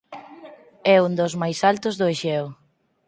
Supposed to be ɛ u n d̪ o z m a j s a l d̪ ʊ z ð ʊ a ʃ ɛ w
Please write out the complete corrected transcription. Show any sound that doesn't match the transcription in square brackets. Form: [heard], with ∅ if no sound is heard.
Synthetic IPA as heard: ɛ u n d̪ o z m a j s a l [t̪] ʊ z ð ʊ [e] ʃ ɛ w